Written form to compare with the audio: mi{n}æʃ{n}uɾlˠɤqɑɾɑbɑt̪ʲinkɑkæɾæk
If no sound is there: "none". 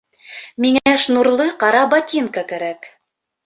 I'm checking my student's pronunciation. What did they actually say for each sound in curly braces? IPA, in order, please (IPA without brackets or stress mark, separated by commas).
ŋ, n